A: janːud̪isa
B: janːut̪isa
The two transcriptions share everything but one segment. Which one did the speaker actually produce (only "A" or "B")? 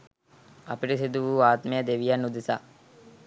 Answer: A